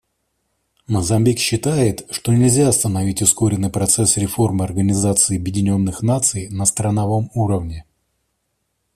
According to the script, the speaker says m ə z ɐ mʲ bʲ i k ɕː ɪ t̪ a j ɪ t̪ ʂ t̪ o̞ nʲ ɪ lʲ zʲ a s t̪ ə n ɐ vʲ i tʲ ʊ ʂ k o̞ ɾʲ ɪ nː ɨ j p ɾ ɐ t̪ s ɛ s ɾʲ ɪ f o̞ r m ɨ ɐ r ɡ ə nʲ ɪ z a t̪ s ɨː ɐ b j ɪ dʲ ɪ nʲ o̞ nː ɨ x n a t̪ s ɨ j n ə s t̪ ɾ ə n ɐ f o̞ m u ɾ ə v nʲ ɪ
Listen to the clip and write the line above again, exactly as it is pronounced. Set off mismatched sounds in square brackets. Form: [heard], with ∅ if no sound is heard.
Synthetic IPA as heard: m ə z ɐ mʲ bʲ i k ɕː ɪ t̪ a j ɪ t̪ ʂ t̪ o̞ nʲ ɪ lʲ zʲ a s t̪ ə n ɐ vʲ i tʲ ʊ [s] k o̞ ɾʲ ɪ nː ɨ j p ɾ ɐ t̪ s ɛ s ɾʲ ɪ f o̞ r m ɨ ɐ r ɡ ə nʲ ɪ z a t̪ s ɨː ɐ b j ɪ dʲ ɪ nʲ o̞ nː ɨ x n a t̪ s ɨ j n ə s t̪ ɾ ə n ɐ [v] o̞ m u ɾ ə v nʲ ɪ